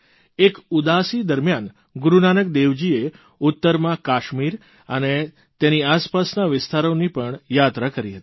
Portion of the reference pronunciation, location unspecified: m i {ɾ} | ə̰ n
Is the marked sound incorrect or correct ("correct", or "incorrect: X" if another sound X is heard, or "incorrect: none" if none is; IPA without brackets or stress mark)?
correct